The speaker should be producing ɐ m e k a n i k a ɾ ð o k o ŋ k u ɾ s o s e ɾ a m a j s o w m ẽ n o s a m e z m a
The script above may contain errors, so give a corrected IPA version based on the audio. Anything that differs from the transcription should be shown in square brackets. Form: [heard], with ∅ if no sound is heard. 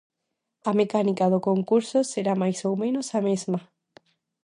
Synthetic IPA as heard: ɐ m e k a n i k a [∅] ð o k o ŋ k u ɾ s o s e ɾ a m a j s o w m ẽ n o s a m e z m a

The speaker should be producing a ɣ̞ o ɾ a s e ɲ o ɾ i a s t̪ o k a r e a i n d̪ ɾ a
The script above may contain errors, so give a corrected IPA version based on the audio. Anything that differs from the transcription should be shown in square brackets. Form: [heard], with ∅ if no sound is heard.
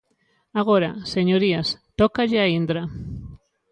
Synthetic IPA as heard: a ɣ̞ o ɾ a s e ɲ o ɾ i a s t̪ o k a [ʎ] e a i n d̪ ɾ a

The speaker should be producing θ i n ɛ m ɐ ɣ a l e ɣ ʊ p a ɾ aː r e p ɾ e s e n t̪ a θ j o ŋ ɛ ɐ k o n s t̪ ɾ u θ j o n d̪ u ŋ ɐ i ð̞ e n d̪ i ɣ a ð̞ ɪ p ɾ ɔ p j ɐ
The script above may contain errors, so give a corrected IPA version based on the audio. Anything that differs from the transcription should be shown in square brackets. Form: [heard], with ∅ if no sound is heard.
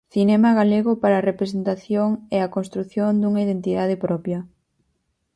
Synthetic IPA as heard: θ i n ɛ m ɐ ɣ a l e ɣ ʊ p a ɾ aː r e p ɾ e s e n t̪ a θ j o ŋ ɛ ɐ k o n s t̪ ɾ u θ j o n d̪ u ŋ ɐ i ð̞ e n [t̪] i [ð] a ð̞ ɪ p ɾ ɔ p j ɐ

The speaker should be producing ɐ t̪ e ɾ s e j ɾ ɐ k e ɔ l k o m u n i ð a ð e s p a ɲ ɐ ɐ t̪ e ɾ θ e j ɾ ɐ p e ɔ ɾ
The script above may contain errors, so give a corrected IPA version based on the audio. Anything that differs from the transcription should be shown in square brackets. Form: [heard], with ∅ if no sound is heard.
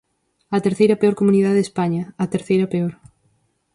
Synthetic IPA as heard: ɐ t̪ e ɾ [θ] e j ɾ ɐ [p] e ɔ [ɾ] k o m u n i ð a ð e s p a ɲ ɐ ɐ t̪ e ɾ θ e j ɾ ɐ p e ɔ ɾ

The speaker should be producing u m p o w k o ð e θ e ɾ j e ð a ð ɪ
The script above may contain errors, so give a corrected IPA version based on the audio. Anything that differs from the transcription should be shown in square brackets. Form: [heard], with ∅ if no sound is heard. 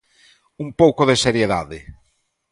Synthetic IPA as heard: u m p o w k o ð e [s] e ɾ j e ð a ð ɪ

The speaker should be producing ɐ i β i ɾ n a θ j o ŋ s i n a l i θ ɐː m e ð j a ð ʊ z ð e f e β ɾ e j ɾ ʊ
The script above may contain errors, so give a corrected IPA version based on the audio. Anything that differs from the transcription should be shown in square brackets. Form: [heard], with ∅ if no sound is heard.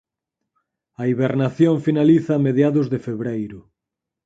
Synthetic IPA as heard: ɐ i β [e] ɾ n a θ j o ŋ [f] i n a l i θ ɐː m e ð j a ð ʊ z ð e f e β ɾ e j ɾ ʊ

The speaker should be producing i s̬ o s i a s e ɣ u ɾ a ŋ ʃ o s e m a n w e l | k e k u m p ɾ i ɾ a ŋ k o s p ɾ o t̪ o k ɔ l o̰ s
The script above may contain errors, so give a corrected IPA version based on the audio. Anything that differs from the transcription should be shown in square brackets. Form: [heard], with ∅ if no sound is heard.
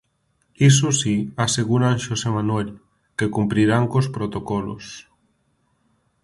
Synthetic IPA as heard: i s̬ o s i a s e ɣ u ɾ a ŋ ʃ o s e m a n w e l | k e k u m p ɾ i ɾ a ŋ k o s p ɾ o t̪ o k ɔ l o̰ s

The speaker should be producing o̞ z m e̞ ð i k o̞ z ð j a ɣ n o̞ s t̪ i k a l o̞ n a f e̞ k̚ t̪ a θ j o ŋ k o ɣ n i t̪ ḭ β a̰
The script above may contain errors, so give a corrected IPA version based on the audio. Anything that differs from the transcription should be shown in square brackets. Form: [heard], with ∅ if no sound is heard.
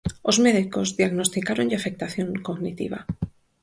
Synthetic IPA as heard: o̞ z m e̞ ð i k o̞ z ð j a ɣ n o̞ s t̪ i k a [ɾ] o̞ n a f e̞ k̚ t̪ a θ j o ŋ k o ɣ n i t̪ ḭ β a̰

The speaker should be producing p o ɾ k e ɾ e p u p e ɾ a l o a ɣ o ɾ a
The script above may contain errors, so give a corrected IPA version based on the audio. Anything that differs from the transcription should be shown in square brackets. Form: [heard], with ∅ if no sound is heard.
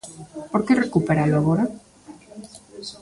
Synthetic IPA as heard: p o ɾ k e [r] e [k] u p e ɾ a l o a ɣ o ɾ a

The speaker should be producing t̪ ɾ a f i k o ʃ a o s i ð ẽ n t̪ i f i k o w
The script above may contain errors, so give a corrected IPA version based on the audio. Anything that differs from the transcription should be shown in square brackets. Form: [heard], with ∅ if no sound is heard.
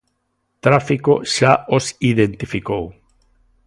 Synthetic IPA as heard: t̪ ɾ a f i k o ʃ a o s i ð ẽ n t̪ i f i k o w

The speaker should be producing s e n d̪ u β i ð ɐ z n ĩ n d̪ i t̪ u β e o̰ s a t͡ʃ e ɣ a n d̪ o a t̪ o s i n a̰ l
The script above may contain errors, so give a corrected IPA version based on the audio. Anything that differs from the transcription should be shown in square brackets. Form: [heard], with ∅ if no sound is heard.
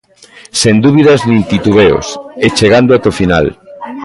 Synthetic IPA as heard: s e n d̪ u β i ð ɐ z n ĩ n [t̪] i t̪ u β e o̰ s [e] t͡ʃ e ɣ a n d̪ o a t̪ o [f] i n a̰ l

